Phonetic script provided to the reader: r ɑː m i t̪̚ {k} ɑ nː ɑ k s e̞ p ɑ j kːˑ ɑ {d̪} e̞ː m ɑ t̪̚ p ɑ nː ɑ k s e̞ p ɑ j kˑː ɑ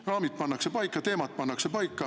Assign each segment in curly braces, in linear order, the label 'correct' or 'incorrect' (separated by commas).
incorrect, incorrect